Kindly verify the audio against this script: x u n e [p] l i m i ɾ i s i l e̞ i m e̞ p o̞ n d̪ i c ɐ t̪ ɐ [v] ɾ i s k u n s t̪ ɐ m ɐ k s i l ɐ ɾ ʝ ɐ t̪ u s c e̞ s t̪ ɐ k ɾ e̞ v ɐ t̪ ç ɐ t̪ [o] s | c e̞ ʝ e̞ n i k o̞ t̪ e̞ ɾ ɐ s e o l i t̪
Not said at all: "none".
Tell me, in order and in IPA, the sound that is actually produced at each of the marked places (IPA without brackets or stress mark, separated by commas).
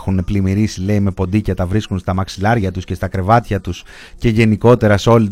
p, v, u